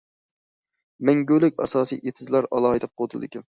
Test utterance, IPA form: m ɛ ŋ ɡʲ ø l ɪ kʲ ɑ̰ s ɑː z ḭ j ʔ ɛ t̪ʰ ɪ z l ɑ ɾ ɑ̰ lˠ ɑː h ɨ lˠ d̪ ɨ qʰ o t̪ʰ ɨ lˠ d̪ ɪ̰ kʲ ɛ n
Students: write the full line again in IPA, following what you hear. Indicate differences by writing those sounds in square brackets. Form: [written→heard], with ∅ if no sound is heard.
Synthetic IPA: m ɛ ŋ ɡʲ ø l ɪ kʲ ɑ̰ s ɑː [z→s] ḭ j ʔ [ɛ→e] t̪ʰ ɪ z l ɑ ɾ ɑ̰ lˠ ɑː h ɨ [lˠ→∅] d̪ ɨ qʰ o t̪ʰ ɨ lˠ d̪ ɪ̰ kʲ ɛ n